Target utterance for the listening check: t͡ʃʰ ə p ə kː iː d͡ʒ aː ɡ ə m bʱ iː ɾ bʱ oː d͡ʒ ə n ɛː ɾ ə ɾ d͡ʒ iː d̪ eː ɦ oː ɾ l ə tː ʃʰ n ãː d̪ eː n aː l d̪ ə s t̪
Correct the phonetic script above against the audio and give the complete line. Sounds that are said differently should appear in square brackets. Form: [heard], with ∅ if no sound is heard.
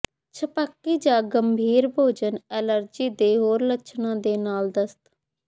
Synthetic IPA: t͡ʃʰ ə p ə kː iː d͡ʒ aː ɡ ə m bʱ iː ɾ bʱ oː d͡ʒ ə n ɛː [l] ə ɾ d͡ʒ iː d̪ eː ɦ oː ɾ l ə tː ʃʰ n ãː d̪ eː n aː l d̪ ə s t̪